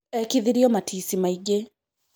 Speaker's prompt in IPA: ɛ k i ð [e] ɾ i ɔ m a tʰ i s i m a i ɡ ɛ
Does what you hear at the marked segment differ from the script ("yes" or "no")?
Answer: yes